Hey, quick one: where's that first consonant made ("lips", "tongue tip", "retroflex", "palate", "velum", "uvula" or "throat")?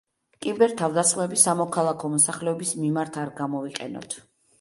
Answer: velum